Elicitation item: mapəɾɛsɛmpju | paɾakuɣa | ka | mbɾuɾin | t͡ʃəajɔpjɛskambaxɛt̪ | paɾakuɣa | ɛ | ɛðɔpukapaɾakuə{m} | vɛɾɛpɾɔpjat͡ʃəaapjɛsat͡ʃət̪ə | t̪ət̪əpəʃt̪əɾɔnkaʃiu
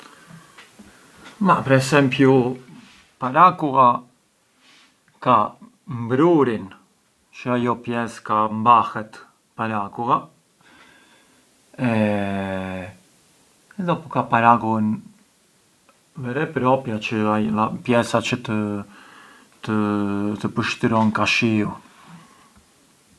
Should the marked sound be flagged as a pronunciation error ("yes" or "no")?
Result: yes